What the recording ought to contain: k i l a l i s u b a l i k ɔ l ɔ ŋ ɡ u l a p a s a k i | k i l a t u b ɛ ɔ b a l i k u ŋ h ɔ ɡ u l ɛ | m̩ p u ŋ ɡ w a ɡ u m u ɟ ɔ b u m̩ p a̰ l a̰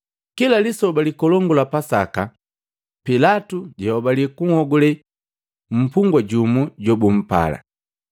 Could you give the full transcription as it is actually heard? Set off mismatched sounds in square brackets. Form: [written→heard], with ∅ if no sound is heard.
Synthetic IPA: k i l a l i s [u→ɔ] b a l i k ɔ l ɔ ŋ ɡ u l a p a s a k [i→a] | [k→p] i l a t u [b→ɟ] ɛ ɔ b a l i k u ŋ h ɔ ɡ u l ɛ | m̩ p u ŋ ɡ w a [ɡ→ɟ] u m u ɟ ɔ b u m̩ p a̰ l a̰